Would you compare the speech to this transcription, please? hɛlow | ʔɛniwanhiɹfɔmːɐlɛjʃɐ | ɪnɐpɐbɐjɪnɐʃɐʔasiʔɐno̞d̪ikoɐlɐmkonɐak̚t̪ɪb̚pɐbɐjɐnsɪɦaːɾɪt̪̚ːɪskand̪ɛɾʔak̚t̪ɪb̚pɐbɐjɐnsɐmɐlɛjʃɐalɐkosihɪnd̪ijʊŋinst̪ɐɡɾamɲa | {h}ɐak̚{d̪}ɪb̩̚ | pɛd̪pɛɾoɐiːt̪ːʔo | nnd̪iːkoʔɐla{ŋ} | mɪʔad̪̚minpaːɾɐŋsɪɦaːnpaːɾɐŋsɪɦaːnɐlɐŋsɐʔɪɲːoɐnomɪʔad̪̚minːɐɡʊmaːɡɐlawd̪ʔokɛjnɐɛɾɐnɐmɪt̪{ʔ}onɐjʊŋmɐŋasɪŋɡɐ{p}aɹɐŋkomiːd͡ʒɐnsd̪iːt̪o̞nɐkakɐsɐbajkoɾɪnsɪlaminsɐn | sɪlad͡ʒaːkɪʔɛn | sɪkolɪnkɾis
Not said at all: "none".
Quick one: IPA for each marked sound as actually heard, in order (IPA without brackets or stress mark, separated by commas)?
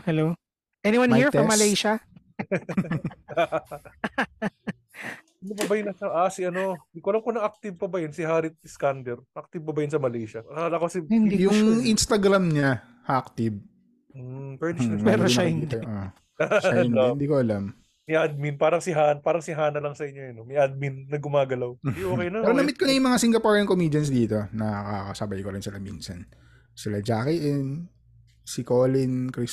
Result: h, t̪, m, k, p